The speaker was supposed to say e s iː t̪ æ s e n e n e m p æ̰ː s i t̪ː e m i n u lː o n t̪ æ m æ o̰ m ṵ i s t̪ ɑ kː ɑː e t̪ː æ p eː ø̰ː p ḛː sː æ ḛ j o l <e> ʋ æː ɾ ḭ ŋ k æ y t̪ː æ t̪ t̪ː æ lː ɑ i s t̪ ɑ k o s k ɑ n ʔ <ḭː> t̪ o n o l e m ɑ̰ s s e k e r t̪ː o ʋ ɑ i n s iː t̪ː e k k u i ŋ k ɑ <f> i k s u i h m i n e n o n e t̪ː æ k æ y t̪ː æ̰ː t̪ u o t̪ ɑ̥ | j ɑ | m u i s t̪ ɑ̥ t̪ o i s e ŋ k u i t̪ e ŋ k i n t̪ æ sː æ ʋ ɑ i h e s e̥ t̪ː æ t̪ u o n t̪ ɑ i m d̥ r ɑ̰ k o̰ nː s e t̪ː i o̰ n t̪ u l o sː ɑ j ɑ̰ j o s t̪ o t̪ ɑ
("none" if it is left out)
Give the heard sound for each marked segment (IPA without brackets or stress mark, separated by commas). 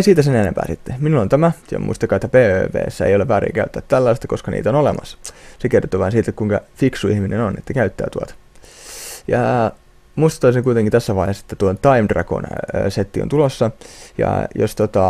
e, ḭː, f